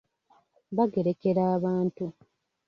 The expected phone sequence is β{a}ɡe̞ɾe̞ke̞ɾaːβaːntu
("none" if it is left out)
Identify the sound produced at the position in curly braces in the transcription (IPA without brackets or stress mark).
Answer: a